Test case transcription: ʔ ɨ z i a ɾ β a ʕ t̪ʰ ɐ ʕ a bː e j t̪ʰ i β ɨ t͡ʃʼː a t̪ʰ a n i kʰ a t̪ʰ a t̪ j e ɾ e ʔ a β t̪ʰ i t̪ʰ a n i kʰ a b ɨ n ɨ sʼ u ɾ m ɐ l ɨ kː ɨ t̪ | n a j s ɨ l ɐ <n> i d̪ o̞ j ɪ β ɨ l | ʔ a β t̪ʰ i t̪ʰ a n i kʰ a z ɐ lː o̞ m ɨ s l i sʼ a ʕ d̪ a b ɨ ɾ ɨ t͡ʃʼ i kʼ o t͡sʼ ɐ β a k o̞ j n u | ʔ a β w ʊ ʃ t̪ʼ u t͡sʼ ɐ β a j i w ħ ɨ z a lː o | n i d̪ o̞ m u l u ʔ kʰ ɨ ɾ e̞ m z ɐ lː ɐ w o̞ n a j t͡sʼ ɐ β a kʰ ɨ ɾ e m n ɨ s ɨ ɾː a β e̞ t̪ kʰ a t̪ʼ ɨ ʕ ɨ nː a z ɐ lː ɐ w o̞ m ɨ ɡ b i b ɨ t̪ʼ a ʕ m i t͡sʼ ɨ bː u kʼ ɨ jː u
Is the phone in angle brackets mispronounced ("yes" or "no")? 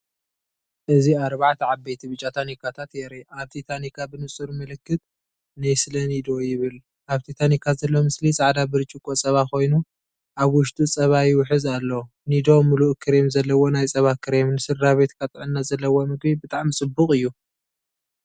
no